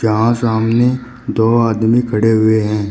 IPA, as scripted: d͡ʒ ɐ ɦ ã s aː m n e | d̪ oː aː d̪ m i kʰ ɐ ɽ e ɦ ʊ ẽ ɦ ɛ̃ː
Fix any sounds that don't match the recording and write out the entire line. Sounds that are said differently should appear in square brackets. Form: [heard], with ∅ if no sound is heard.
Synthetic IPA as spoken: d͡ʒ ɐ ɦ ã s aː m n e | d̪ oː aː d̪ m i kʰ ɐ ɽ e ɦ ʊ [e] ɦ ɛ̃ː